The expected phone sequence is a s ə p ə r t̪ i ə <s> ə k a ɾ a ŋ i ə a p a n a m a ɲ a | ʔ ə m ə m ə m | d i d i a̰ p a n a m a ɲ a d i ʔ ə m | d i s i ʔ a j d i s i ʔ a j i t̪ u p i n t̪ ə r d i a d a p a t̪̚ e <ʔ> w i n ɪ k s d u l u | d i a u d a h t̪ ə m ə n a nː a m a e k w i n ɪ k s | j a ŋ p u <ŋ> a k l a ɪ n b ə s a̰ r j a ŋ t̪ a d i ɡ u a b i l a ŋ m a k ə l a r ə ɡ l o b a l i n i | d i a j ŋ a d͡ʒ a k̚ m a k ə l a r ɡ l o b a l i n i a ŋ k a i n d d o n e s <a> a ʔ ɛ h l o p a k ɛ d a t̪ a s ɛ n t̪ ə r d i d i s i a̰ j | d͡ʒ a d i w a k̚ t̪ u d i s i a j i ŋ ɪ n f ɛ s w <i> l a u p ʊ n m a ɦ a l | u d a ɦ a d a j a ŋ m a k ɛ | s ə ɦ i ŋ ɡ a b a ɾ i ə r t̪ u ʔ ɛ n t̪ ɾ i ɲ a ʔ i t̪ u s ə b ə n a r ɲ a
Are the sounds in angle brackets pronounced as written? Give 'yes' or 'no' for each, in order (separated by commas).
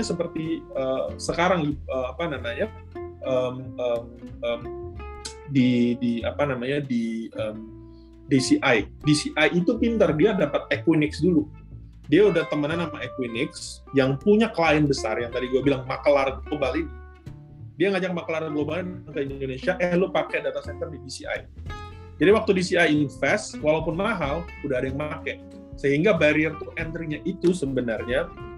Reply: yes, no, no, no, no